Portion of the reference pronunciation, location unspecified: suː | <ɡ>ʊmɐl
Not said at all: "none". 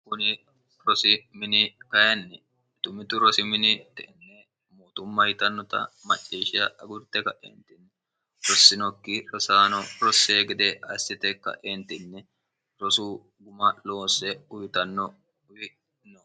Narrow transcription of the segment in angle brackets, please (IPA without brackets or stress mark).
ɡ